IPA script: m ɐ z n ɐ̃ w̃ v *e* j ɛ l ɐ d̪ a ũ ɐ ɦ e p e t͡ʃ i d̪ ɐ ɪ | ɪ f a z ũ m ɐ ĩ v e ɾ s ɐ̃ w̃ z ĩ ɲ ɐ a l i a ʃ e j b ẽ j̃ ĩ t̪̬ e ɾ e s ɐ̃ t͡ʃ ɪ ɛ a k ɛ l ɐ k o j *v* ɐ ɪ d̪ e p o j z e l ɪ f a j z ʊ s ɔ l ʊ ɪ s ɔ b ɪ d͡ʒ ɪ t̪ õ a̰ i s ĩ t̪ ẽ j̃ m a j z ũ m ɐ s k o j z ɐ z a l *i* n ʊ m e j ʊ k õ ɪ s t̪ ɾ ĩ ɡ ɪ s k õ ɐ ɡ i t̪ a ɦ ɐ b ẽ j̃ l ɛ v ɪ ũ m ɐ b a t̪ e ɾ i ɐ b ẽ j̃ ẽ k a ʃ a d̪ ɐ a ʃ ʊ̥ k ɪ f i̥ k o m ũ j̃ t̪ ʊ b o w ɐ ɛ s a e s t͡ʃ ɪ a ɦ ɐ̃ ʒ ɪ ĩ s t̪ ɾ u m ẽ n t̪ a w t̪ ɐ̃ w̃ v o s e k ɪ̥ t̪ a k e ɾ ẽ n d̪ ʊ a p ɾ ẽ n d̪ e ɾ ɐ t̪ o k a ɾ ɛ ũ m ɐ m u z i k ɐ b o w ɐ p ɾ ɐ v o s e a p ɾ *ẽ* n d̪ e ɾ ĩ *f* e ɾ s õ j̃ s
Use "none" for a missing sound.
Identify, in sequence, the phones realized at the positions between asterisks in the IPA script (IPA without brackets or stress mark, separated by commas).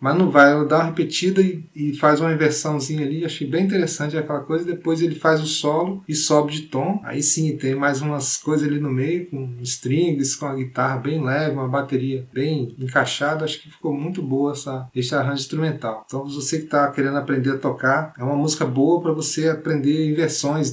a, z, i, ẽ, v